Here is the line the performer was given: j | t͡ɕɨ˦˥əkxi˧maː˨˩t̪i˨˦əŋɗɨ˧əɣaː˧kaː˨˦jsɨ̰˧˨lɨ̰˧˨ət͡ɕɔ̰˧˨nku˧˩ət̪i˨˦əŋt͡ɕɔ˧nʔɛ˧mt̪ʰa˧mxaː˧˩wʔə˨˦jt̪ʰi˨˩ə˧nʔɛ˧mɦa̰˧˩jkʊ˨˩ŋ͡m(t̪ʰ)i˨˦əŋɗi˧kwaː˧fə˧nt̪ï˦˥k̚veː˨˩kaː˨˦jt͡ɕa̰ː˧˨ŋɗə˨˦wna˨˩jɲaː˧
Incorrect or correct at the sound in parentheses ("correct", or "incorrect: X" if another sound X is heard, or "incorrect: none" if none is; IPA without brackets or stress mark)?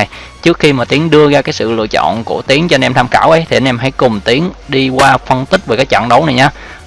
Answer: incorrect: t̪